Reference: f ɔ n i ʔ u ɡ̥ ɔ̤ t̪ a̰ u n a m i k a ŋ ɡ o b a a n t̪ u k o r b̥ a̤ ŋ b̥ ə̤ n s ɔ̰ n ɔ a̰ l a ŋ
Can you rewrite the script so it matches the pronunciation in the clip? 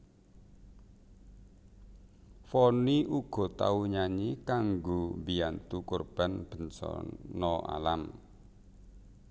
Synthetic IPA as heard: f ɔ n i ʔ u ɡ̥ ɔ̤ t̪ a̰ u ɲ a ɲ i k a ŋ ɡ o b i a n t̪ u k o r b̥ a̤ n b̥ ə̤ n s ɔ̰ n ɔ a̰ l a m